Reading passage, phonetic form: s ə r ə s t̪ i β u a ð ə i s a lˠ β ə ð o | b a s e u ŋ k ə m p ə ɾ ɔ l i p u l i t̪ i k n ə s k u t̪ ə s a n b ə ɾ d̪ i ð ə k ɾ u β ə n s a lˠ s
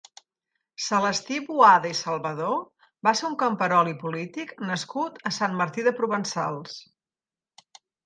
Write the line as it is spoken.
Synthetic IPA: s ə l ə s t̪ i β u a ð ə i s ə lˠ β ə ð o | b a s e u ŋ k ə m p ə ɾ ɔ l i p u l i t̪ i k n ə s k u t̪ ə s a n m ə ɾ t̪ i ð ə p ɾ u β ə n s a lˠ s

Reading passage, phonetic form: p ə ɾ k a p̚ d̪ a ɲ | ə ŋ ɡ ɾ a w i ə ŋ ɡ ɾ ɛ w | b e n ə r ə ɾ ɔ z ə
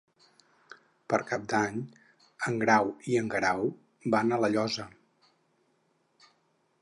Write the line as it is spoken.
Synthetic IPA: p ə ɾ k a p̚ d̪ a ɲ | ə ŋ ɡ ɾ a w i ə ŋ ɡ ɾ a w | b a n ə l ə ʎ ɔ z ə

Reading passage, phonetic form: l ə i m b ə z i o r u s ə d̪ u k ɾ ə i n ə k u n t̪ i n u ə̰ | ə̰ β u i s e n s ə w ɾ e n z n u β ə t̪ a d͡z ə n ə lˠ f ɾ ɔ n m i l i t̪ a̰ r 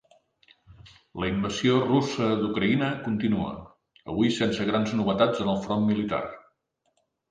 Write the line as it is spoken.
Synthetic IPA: l ə i m b ə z i o r u s ə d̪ u k ɾ ə i n ə k u n t̪ i n u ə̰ | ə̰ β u i s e n s ə ɣ ɾ a n z n u β ə t̪ a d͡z ə n ə lˠ f ɾ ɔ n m i l i t̪ a̰ r

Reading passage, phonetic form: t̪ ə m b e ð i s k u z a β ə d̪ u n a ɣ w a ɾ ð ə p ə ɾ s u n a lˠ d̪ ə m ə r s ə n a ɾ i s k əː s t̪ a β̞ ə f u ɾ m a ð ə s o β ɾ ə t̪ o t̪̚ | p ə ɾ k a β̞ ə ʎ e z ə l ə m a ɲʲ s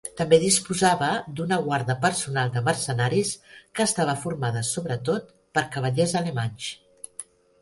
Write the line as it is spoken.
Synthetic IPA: t̪ ə m b e ð i s p u z a β ə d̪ u n ə ɣ w a ɾ ð ə p ə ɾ s u n a lˠ d̪ ə m ə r s ə n a ɾ i s k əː s t̪ a β̞ ə f u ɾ m a ð ə s o β ɾ ə t̪ o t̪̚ | p ə ɾ k ə β̞ ə ʎ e z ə l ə m a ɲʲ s

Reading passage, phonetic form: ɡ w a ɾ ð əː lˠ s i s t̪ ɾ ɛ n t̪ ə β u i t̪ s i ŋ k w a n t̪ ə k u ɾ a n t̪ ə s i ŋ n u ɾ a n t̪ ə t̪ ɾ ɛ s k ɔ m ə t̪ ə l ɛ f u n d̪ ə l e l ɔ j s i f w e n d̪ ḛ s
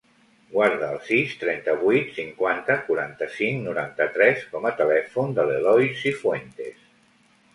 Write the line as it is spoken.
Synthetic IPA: ɡ w a ɾ ð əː lˠ s i s t̪ ɾ ɛ n t̪ ə β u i t̪ s i ŋ k w a n t̪ ə k u ɾ a n t̪ ə s i ŋ n u ɾ a n t̪ ə t̪ ɾ ɛ s k ɔ m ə t̪ ə l ɛ f u n d̪ ə l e l ɔ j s i f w e n t̪ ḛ s

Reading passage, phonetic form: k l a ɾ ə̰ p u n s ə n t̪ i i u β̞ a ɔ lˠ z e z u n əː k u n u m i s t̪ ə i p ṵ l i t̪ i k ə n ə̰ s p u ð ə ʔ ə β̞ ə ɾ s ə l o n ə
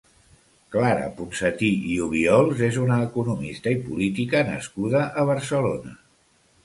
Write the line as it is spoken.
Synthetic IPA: k l a ɾ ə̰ p u n s ə t̪ i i u β̞ i ɔ lˠ z e z u n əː k u n u m i s t̪ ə i p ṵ l i t̪ i k ə n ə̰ s k u ð ə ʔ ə β̞ ə ɾ s ə l o n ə

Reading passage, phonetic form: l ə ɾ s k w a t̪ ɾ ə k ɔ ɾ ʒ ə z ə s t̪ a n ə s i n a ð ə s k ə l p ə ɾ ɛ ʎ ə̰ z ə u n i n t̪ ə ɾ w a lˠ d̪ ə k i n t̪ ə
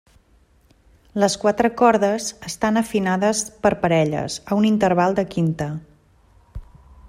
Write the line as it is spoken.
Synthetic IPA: l ə s k w a t̪ ɾ ə k ɔ ɾ ð ə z ə s t̪ a n ə f i n a ð ə s p ə ɾ p ə ɾ ɛ ʎ ə̰ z ə u n i n t̪ ə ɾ β a lˠ d̪ ə k i n t̪ ə

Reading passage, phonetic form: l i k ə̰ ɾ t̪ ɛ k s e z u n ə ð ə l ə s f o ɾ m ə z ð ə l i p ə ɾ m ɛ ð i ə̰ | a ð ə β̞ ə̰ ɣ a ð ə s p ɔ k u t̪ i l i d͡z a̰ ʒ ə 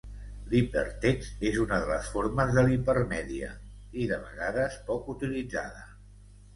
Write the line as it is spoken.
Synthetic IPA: l i p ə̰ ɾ t̪ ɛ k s e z u n ə ð ə l ə s f o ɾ m ə z ð ə l i p ə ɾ m ɛ ð i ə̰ | i ð ə β̞ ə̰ ɣ a ð ə s p ɔ k u t̪ i l i d͡z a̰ ð ə

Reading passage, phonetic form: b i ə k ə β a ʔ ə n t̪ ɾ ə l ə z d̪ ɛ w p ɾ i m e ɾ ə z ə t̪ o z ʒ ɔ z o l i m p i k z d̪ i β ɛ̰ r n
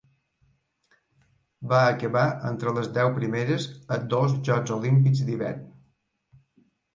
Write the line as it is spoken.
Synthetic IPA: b a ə k ə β a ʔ ə n t̪ ɾ ə l ə z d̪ ɛ w p ɾ i m e ɾ ə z ə d̪ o z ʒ ɔ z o l i m p i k z d̪ i β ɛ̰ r n

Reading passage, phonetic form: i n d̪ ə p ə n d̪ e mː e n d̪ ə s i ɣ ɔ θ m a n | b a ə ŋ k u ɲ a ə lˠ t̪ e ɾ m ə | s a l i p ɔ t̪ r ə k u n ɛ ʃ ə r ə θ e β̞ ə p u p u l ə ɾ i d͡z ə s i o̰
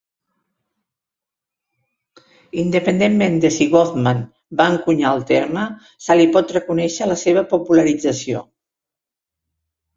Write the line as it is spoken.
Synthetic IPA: i n d̪ ə p ə n d̪ e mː e n d̪ ə s i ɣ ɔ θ m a n | b a ə ŋ k u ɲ a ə lˠ t̪ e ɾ m ə | s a l i p ɔ t̪ r ə k u n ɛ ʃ ə l ə s e β̞ ə p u p u l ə ɾ i d͡z ə s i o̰

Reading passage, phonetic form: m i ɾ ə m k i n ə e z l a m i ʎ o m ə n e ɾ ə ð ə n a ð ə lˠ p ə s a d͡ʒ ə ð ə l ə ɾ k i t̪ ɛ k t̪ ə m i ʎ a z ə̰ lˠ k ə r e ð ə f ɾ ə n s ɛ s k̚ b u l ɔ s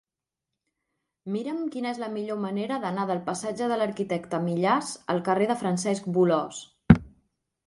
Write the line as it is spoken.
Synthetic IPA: m i ɾ ə m k i n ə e z l ə m i ʎ o m ə n e ɾ ə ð ə n a ð ə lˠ p ə s a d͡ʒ ə ð ə l ə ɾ k i t̪ ɛ k t̪ ə m i ʎ a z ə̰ lˠ k ə r e ð ə f ɾ ə n s ɛ s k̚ b u l ɔ s

